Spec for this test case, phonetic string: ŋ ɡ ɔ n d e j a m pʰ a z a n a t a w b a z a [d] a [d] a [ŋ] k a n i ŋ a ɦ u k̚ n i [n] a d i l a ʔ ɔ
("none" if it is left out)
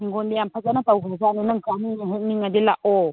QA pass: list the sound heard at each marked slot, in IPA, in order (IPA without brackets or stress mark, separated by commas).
n, n, ŋ, ŋ